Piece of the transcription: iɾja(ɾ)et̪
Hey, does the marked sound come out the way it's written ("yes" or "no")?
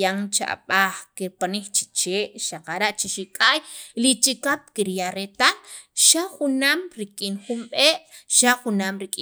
yes